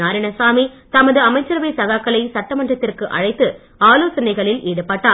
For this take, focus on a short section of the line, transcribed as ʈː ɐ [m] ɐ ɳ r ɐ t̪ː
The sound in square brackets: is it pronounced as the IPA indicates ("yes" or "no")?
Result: yes